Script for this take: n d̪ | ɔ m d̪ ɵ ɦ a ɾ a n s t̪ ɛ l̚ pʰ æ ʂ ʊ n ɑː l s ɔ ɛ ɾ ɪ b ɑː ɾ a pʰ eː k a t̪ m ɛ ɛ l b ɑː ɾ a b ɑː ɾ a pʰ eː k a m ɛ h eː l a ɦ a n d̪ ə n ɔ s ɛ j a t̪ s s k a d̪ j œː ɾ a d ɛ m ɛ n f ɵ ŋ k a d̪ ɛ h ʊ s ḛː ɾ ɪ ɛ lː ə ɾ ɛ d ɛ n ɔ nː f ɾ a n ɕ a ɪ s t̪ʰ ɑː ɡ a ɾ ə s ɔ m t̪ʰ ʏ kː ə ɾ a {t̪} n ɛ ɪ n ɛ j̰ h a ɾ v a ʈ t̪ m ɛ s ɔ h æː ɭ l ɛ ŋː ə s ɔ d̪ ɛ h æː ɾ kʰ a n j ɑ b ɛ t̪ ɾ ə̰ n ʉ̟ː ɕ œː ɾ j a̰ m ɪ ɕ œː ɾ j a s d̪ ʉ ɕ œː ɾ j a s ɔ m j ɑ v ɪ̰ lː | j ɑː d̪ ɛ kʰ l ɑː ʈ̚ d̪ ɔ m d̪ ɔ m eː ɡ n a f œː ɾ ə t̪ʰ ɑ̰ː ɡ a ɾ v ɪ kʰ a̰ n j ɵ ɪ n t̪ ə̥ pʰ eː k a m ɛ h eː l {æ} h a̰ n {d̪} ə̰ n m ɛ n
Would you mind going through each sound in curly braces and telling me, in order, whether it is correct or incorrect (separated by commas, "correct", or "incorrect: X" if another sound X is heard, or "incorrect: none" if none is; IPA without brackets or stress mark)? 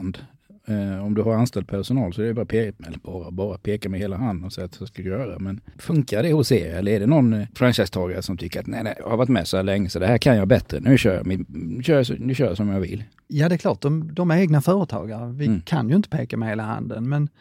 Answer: correct, incorrect: a, correct